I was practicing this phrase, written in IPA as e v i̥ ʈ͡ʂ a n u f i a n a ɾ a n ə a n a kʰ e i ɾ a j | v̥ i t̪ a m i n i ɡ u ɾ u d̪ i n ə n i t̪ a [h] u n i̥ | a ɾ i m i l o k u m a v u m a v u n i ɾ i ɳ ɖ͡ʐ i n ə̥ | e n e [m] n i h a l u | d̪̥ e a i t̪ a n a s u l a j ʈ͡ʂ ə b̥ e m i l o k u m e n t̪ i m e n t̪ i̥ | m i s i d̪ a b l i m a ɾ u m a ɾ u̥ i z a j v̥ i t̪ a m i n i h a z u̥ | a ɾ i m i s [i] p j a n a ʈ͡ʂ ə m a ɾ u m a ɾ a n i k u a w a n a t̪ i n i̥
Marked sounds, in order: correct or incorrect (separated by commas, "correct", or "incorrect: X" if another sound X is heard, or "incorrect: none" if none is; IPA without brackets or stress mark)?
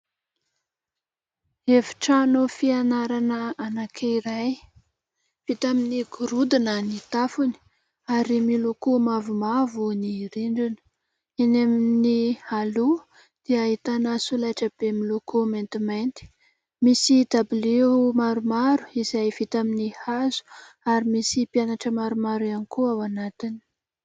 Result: incorrect: f, correct, correct